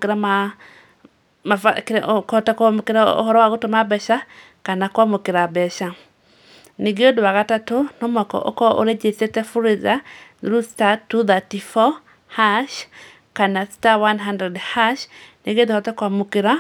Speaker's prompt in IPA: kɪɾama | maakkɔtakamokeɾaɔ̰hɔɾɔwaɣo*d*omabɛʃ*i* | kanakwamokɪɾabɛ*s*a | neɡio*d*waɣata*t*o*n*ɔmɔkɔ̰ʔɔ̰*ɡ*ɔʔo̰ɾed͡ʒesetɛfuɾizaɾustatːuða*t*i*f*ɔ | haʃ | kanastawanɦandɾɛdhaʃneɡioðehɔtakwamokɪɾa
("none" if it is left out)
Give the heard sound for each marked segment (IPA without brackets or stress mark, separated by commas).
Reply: t, a, ʃ, d, t, n, k, t, f